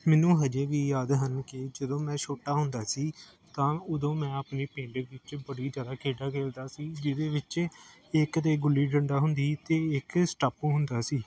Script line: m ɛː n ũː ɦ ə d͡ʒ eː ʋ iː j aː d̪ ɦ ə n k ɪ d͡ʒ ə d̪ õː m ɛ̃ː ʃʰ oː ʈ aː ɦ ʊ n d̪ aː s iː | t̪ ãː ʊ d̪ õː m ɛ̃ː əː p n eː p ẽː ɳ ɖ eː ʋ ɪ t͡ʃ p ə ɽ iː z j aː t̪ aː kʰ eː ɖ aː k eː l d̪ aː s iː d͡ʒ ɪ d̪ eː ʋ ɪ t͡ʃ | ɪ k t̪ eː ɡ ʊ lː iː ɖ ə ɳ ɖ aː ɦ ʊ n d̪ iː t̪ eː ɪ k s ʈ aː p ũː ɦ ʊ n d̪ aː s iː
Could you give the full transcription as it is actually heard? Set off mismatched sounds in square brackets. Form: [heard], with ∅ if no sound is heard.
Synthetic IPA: m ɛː n ũː ɦ ə d͡ʒ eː ʋ iː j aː d̪ ɦ ə n k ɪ d͡ʒ ə d̪ õː m ɛ̃ː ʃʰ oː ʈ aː ɦ ʊ n d̪ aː s iː | t̪ ãː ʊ d̪ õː m ɛ̃ː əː p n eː p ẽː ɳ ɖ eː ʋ ɪ t͡ʃ [b] ə ɽ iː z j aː [d̪] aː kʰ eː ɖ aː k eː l d̪ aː s iː d͡ʒ ɪ d̪ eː ʋ ɪ t͡ʃ | ɪ k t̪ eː ɡ ʊ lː iː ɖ ə ɳ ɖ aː ɦ ʊ n d̪ iː t̪ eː ɪ k s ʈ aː p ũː ɦ ʊ n d̪ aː s iː